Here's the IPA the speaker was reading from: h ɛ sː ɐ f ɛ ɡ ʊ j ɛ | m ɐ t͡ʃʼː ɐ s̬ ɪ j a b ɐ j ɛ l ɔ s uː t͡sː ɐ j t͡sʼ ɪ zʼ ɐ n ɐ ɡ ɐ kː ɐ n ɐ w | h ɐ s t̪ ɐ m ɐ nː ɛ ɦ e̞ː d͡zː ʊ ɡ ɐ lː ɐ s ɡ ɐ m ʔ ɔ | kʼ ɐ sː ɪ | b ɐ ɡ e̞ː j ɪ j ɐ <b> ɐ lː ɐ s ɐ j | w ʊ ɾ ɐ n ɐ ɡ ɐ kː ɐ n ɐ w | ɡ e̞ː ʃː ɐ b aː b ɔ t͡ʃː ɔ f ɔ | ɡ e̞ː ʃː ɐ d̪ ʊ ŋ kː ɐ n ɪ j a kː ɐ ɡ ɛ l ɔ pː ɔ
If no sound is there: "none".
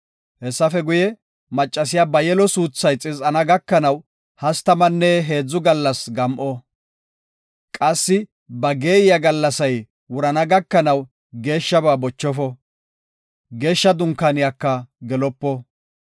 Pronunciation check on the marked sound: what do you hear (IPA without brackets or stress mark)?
ɡ